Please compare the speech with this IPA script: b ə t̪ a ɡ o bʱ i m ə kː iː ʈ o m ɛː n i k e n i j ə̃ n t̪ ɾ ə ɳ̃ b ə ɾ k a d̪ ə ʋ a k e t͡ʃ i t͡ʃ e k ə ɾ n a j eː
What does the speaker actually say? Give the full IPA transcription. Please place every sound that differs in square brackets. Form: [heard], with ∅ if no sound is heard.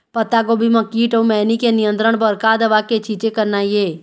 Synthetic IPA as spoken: [p] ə t̪ a ɡ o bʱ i m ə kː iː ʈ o m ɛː n i k e n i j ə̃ n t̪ ɾ ə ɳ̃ b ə ɾ k a d̪ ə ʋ a k e t͡ʃ i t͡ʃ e k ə ɾ n a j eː